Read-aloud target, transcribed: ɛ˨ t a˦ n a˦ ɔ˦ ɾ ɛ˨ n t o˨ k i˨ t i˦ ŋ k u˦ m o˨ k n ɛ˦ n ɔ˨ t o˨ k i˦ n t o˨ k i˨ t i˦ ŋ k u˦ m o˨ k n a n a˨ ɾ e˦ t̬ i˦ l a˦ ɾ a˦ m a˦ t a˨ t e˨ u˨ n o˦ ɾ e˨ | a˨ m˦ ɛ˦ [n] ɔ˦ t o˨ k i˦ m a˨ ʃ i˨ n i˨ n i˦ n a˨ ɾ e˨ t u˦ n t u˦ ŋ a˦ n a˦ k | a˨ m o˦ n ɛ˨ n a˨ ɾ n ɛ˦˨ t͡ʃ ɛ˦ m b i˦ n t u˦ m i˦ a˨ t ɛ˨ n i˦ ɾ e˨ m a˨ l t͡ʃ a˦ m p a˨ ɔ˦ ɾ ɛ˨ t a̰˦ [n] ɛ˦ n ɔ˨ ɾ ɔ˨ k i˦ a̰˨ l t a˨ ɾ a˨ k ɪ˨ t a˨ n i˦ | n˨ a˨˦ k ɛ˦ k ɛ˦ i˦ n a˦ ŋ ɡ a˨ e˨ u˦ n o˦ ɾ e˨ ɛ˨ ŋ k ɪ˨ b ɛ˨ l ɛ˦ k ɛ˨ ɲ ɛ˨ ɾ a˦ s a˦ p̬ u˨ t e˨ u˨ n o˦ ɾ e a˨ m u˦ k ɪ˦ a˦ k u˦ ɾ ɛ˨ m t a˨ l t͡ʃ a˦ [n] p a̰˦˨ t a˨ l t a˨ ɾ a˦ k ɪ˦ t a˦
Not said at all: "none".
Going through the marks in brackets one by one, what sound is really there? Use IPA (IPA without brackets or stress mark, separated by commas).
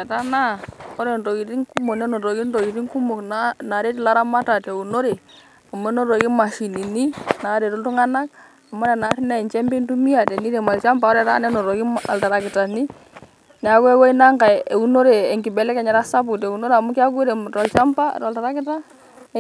n, n, m